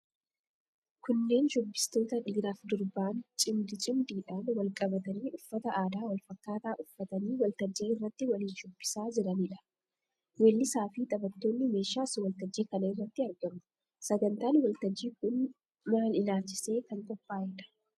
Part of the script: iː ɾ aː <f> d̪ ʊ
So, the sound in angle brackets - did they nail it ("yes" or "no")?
yes